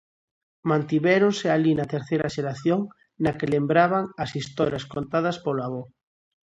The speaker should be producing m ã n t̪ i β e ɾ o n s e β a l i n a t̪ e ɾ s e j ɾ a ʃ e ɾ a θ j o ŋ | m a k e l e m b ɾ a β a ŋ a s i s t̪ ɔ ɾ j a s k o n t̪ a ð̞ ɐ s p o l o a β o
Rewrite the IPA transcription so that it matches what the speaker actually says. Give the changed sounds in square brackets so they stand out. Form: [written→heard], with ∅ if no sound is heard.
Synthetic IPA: m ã n t̪ i β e ɾ o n s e [β→∅] a l i n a t̪ e ɾ [s→θ] e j ɾ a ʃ e ɾ a θ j o ŋ | [m→n] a k e l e m b ɾ a β a ŋ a s i s t̪ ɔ ɾ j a s k o n t̪ a ð̞ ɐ s p o l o a β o